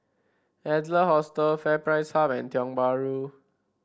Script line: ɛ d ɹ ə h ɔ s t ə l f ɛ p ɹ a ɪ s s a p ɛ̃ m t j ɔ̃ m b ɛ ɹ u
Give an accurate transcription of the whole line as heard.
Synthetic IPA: ɛ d l ə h ɔ s t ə l f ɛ p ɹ a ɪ s h a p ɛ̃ n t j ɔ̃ ŋ b a ɹ u